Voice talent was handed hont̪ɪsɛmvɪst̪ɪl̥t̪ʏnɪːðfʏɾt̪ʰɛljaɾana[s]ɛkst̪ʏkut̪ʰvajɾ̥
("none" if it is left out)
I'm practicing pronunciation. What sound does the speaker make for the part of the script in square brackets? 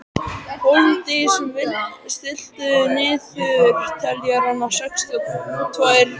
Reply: s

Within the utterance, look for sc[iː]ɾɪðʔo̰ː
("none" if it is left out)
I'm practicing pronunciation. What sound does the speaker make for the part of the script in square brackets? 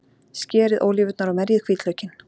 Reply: ɛː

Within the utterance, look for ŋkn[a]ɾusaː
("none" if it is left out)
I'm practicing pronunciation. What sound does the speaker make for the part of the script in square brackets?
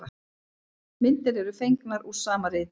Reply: a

